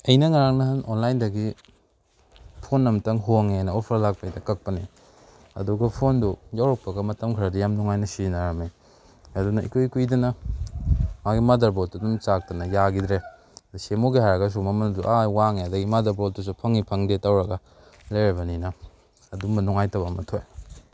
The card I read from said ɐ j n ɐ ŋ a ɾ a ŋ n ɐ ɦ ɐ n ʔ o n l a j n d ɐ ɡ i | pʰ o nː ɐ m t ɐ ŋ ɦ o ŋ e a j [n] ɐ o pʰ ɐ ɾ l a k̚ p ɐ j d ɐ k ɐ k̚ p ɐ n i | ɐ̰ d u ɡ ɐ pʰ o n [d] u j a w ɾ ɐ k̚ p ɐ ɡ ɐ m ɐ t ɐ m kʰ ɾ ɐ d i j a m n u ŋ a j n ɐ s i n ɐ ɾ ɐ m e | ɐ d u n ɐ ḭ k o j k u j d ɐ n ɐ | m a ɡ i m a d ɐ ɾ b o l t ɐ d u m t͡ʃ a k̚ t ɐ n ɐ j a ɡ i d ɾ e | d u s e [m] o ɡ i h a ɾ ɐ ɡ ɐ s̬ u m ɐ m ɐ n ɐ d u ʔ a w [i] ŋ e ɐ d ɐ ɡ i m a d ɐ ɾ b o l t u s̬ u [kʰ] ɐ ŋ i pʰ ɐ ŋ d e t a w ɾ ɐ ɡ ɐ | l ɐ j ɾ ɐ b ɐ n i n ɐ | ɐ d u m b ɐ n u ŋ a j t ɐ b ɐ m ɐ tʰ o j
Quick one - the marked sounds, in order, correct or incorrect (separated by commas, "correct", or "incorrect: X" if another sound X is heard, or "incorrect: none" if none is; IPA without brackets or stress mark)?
correct, correct, correct, incorrect: a, incorrect: pʰ